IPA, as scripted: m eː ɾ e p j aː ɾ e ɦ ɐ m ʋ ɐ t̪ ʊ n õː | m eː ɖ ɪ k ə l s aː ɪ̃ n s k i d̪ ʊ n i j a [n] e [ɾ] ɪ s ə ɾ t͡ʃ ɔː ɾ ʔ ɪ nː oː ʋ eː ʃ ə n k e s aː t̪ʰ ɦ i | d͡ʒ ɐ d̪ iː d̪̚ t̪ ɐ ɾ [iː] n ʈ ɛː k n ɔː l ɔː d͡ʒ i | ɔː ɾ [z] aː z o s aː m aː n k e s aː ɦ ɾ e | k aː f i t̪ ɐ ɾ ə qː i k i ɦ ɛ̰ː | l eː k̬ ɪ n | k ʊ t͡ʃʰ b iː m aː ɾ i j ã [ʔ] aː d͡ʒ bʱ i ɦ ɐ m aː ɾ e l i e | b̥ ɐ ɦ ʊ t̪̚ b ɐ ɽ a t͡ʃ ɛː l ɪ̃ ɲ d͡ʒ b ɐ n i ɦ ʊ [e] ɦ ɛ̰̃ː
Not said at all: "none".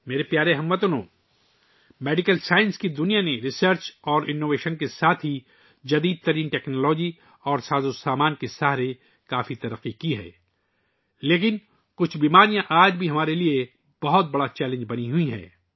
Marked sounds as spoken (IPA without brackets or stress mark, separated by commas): n, ɾ, iː, s, ʔ, i